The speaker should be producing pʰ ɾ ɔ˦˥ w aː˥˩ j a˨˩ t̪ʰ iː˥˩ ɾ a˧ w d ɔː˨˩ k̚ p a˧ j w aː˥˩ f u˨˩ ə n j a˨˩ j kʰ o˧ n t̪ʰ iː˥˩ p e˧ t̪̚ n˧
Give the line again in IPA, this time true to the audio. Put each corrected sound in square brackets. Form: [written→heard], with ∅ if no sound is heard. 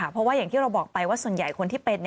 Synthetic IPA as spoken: pʰ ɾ ɔ˦˥ w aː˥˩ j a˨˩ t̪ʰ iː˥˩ ɾ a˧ w [d→b] ɔː˨˩ k̚ p a˧ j w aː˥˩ [f→s] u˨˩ ə n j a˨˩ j kʰ o˧ n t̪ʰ [iː˥˩→iː˩] p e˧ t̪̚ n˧